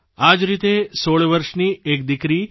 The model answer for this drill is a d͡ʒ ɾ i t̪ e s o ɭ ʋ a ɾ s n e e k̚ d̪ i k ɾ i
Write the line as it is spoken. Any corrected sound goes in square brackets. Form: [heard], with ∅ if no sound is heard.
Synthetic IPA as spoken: a d͡ʒ ɾ i t̪ e s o ɭ ʋ [ə] ɾ [ʃ] n [i] e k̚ d̪ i k ɾ i